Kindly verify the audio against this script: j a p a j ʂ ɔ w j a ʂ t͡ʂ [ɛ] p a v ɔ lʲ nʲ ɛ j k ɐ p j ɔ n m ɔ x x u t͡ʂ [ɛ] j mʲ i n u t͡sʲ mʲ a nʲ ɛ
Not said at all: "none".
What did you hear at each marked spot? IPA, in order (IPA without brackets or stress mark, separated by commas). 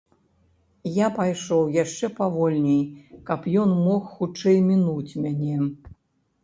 ɛ, ɛ